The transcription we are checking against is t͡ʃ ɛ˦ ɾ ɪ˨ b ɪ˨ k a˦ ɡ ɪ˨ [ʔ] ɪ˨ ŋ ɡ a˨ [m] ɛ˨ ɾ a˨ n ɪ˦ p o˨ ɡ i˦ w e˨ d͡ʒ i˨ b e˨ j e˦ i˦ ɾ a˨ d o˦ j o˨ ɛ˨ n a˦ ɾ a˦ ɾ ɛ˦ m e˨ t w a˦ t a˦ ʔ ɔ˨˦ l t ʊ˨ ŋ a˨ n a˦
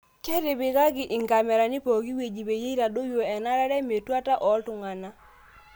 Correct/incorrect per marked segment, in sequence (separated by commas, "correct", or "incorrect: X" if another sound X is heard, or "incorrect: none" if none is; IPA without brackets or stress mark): correct, correct